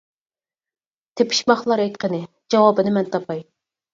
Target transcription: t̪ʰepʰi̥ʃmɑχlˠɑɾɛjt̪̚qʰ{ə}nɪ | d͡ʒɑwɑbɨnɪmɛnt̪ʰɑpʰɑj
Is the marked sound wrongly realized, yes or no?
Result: no